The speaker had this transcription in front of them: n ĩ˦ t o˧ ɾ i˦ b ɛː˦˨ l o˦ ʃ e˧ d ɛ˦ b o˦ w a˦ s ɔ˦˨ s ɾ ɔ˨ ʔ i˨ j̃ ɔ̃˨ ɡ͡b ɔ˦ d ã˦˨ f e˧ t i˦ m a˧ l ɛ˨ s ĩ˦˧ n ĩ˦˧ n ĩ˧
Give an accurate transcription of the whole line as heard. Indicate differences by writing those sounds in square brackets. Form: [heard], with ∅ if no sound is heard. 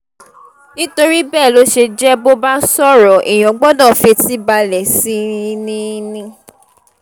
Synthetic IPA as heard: n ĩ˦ t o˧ ɾ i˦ b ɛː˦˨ l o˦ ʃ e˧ [d͡ʒ] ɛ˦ b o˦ [b] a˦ s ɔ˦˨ [∅] ɾ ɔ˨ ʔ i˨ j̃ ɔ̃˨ ɡ͡b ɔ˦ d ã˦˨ f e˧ t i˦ [b] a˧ l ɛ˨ s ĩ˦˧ n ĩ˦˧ n ĩ˧